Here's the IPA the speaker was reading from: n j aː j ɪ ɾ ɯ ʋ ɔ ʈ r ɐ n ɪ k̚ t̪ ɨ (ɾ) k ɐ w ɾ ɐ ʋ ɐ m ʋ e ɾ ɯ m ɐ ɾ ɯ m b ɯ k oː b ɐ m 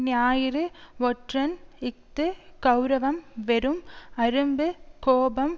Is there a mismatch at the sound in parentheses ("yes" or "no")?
yes